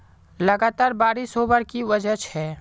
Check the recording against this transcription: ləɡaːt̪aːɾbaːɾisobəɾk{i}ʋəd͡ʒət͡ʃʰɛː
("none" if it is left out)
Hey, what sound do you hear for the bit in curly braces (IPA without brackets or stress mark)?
i